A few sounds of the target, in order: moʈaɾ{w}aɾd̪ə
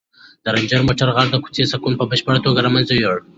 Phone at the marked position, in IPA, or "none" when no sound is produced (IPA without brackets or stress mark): ɣ